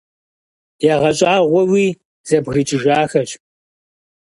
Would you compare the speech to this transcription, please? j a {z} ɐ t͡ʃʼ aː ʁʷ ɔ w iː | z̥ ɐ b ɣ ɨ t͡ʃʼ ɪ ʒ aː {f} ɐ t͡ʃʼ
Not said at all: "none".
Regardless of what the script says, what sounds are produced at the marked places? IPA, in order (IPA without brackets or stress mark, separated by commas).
ʁ, x